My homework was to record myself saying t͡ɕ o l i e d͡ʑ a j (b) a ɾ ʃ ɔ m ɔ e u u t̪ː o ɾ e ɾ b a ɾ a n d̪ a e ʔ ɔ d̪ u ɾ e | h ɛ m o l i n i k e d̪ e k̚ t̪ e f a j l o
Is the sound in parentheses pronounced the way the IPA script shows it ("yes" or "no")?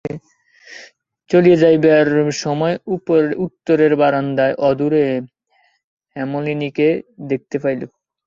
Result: yes